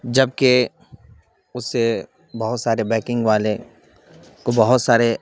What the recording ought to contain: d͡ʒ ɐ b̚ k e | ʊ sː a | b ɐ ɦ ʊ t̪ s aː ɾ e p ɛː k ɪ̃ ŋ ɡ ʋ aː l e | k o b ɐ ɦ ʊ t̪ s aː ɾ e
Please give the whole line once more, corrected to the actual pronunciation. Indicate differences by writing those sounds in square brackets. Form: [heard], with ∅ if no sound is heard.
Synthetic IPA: d͡ʒ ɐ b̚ k e | ʊ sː [e] | b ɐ ɦ ʊ t̪ s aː ɾ e [b] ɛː k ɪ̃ ŋ ɡ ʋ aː l e | k o b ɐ ɦ ʊ t̪ s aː ɾ e